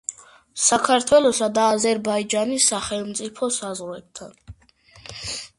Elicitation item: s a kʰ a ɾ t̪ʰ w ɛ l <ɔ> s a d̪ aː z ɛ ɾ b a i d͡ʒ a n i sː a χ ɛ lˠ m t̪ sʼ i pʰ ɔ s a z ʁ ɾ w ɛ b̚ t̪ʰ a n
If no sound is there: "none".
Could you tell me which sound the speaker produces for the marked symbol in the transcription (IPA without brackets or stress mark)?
ɔ